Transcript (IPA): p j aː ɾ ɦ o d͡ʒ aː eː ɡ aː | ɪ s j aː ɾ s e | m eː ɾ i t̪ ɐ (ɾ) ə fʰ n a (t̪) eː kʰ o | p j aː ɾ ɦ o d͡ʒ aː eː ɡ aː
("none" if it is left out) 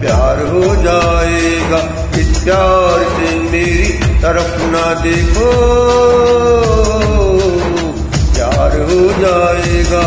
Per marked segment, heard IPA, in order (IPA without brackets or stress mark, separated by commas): ɾ, d̪